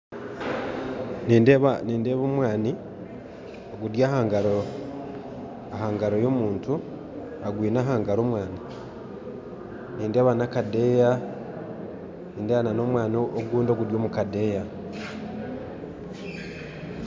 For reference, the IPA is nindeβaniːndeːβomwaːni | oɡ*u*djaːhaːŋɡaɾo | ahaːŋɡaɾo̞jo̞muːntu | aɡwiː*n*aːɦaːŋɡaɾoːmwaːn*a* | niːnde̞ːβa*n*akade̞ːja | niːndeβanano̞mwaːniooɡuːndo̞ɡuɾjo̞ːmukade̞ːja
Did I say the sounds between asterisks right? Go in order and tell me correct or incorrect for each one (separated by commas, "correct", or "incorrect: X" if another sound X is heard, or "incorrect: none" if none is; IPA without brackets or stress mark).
correct, correct, incorrect: i, correct